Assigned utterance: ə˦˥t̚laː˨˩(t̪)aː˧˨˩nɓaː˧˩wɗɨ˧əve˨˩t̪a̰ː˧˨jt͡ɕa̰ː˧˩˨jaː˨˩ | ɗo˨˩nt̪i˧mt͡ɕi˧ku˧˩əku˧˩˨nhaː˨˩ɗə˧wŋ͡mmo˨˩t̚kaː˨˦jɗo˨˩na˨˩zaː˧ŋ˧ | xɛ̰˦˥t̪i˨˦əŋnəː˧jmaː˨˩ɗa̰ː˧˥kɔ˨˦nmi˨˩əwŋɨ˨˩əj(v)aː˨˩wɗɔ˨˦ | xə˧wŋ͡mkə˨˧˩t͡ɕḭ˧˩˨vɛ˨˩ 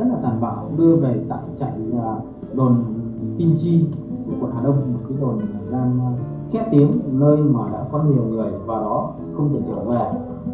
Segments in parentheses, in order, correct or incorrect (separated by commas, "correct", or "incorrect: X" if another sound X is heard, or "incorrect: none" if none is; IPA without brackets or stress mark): correct, correct